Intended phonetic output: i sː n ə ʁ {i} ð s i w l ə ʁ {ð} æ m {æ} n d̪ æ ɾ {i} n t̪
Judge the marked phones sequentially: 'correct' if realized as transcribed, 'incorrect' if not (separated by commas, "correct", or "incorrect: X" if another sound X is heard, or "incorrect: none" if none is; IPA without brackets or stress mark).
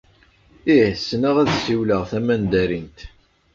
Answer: incorrect: æ, incorrect: θ, correct, correct